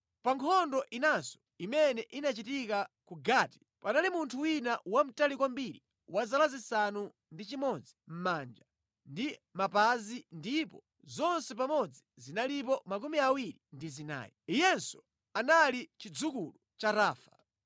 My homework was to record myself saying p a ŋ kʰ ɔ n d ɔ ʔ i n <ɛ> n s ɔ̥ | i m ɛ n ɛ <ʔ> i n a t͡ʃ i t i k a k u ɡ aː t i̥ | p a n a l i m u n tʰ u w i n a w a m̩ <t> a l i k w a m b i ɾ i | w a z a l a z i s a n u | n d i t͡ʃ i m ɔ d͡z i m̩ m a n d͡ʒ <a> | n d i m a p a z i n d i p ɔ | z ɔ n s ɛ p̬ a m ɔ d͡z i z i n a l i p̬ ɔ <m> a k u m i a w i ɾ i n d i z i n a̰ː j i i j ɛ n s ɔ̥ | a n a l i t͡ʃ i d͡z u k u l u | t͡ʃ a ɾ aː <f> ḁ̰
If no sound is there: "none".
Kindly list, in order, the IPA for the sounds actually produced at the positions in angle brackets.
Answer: a, ʔ, t, a, m, f

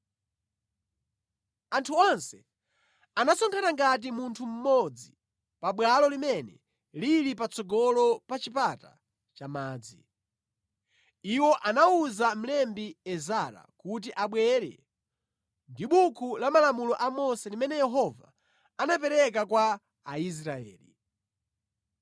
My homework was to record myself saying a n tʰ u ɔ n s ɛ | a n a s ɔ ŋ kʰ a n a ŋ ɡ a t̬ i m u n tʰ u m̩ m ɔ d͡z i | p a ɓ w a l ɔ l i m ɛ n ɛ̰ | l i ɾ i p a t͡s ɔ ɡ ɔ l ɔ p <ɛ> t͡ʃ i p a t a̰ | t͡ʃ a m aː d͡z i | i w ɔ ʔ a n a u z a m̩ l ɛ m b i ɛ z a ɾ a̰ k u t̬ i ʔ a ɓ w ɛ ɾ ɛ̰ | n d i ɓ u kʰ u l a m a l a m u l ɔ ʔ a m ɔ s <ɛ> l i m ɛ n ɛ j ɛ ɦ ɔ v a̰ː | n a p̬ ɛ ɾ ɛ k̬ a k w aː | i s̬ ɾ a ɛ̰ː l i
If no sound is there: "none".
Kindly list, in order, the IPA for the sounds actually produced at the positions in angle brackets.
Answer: a, ɛ

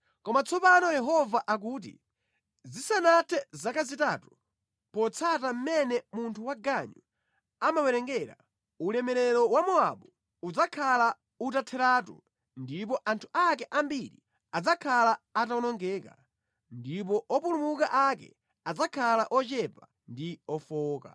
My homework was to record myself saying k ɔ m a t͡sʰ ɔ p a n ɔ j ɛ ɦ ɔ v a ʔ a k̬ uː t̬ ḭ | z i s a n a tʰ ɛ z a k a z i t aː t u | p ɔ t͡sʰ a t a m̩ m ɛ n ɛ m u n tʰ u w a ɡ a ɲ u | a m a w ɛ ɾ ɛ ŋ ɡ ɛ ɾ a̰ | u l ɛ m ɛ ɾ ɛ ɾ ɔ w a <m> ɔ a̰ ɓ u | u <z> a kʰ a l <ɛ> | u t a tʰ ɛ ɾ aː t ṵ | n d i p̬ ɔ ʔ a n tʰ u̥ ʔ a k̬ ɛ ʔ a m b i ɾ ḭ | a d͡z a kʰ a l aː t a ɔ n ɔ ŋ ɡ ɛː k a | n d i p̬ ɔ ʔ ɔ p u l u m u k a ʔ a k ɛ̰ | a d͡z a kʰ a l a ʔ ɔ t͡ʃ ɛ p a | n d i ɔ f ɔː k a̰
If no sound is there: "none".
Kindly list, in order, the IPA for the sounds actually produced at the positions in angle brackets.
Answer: m, d͡z, a

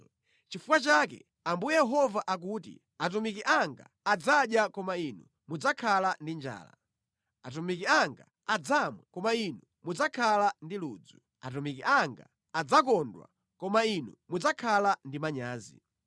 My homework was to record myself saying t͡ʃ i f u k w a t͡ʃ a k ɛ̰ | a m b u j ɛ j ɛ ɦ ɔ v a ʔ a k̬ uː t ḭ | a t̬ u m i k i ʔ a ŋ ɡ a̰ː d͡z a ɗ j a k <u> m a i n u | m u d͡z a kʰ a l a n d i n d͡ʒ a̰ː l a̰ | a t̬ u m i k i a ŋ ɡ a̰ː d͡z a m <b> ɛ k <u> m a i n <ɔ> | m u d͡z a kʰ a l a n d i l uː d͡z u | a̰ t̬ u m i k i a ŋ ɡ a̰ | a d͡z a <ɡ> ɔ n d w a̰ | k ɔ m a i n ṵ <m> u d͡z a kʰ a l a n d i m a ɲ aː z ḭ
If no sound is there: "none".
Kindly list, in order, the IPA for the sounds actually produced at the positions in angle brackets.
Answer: ɔ, w, ɔ, u, k, m

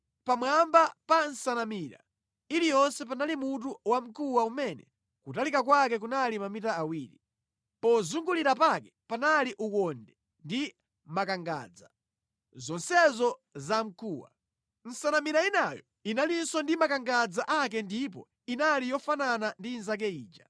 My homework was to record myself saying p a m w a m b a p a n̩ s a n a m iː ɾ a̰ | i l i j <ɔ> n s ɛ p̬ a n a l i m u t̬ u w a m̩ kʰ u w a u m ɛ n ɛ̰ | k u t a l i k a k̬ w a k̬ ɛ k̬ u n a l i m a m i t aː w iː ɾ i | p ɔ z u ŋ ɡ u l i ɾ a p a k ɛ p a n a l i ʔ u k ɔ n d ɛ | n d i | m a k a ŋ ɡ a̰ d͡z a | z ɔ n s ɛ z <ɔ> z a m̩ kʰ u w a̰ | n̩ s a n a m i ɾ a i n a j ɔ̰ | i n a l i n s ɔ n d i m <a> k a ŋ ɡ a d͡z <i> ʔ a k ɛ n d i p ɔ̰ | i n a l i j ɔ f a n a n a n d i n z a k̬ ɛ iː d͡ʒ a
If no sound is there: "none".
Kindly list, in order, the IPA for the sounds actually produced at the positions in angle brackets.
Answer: ɔ, ɔ, a, a

